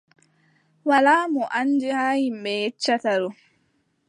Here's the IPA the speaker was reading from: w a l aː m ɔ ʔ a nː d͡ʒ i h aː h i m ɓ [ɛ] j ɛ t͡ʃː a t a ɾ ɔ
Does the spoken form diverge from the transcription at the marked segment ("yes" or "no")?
no